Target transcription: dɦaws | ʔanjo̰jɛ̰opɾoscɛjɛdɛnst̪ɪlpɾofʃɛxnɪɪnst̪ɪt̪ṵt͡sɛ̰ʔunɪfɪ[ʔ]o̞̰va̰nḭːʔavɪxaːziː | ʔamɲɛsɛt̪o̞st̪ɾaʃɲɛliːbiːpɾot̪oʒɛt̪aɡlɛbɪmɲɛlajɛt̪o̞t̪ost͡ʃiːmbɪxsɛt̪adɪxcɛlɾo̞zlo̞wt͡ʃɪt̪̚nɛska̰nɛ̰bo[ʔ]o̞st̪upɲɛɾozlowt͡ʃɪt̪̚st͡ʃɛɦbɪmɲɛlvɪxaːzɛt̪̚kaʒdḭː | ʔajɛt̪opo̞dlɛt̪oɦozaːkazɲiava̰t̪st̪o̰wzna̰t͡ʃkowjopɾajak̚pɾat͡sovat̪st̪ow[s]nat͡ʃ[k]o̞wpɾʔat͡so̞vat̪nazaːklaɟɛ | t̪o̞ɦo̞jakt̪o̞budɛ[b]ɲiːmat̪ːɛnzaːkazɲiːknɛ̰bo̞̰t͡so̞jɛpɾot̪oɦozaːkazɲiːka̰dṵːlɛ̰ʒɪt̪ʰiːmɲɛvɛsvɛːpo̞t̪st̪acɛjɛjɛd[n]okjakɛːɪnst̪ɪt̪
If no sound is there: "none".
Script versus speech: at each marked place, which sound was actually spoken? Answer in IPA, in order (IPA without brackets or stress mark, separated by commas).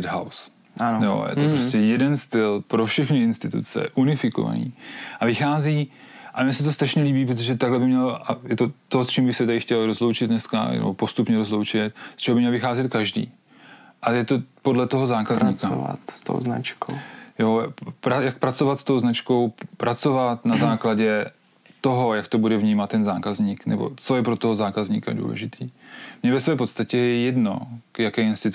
k, p, z, k, v, n